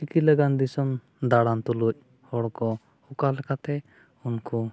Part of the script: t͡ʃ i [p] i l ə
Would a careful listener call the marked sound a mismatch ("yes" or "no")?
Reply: yes